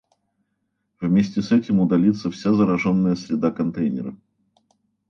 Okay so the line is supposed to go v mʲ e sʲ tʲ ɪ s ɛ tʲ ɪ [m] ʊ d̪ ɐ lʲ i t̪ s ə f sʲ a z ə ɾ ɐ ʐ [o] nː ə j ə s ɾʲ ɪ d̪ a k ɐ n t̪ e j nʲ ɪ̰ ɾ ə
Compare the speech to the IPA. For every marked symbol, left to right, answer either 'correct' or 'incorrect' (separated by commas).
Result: correct, correct